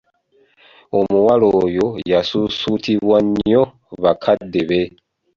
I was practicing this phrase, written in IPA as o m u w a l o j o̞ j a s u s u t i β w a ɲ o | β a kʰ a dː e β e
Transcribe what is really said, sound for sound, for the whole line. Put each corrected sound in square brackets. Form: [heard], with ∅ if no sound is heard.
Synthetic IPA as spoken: o m u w a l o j o̞ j a s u s u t i β w a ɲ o | β a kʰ a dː e β e